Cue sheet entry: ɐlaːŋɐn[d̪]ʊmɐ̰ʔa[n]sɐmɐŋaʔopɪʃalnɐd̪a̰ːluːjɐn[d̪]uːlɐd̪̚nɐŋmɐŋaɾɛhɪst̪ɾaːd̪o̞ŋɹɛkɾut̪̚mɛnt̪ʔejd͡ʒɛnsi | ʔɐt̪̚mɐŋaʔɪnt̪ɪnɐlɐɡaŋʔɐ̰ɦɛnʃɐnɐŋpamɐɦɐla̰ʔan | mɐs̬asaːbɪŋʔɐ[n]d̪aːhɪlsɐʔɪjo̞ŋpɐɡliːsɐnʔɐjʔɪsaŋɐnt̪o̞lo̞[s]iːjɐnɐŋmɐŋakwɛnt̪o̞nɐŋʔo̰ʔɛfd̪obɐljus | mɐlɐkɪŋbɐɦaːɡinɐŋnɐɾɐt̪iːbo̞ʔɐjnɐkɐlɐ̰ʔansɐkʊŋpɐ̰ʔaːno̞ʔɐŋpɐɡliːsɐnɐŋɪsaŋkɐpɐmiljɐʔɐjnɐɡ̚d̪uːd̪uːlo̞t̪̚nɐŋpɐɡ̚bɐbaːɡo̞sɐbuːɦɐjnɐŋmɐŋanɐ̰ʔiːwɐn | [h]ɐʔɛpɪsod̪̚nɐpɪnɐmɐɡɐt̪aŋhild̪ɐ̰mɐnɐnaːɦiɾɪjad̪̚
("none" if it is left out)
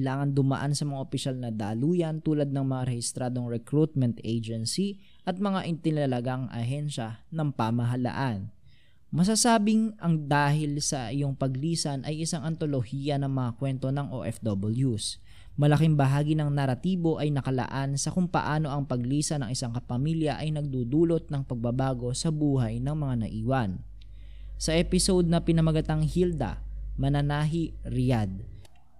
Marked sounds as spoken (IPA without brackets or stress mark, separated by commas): d̪, n, t̪, ŋ, h, s